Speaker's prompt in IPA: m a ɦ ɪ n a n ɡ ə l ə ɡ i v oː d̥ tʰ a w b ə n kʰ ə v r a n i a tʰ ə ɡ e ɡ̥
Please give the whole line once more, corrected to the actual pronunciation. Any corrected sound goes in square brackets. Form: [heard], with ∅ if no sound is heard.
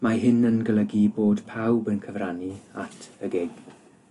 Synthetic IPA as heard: m a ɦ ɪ n [ə] n ɡ ə l ə ɡ i [b] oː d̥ [pʰ] a w b ə n kʰ ə v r a n i a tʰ ə ɡ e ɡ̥